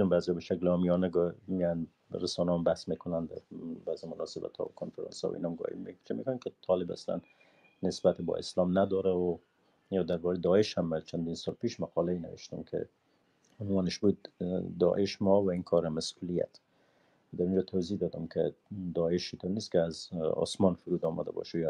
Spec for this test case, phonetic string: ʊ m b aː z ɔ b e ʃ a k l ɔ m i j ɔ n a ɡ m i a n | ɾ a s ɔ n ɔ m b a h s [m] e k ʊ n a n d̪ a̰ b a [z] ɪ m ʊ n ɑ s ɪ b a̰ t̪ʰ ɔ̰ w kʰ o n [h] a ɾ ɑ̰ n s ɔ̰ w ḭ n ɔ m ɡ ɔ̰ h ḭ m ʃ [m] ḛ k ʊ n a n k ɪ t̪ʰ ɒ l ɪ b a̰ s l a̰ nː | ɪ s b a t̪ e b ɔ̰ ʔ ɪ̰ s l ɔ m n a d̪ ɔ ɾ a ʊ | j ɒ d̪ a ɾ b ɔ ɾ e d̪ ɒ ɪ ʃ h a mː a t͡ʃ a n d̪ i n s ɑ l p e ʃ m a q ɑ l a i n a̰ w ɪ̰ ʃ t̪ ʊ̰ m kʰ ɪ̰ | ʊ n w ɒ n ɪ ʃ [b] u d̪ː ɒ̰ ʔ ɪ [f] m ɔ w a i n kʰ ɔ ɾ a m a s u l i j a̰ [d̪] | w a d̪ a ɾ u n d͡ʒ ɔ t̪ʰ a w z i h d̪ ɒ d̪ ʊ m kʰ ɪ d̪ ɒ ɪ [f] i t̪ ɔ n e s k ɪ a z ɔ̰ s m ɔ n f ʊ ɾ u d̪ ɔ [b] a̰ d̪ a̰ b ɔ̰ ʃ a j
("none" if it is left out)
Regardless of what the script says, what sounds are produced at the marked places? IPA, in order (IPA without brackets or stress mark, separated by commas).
m, z, f, m, b, ʃ, t̪, ʃ, m